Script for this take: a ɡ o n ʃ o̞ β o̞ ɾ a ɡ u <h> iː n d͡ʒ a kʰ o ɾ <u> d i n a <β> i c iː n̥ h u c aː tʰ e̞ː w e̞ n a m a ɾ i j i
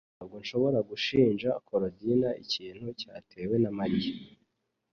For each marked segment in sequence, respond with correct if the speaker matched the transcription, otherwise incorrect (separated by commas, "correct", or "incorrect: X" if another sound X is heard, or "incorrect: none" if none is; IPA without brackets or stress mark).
incorrect: ʃ, incorrect: o, incorrect: none